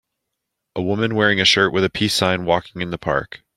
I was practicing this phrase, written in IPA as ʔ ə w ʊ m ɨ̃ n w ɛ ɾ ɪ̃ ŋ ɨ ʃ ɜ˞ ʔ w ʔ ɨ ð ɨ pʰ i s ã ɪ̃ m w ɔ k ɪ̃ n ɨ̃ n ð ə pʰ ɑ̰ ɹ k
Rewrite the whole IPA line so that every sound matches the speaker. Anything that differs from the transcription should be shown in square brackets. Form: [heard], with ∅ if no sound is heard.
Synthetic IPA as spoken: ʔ ə w ʊ m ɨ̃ n w ɛ [ɹ] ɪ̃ ŋ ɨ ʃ ɜ˞ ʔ w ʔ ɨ ð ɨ pʰ i s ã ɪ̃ [n] w ɔ k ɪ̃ [ŋ] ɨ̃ n ð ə pʰ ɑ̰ ɹ k